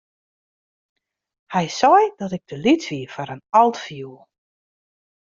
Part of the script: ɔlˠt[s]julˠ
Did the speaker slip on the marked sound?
yes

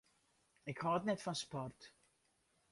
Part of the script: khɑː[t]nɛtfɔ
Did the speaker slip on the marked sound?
no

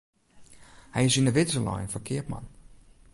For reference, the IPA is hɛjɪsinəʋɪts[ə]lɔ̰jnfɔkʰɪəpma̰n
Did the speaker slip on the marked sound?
no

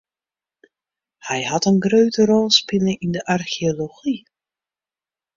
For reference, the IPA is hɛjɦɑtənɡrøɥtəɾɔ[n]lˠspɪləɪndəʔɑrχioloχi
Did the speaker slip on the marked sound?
yes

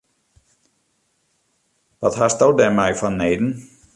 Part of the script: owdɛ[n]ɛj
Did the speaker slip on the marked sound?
yes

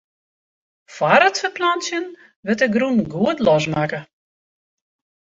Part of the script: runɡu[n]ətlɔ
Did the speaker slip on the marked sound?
yes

